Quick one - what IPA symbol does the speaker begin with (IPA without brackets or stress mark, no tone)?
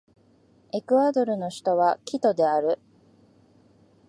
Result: e̞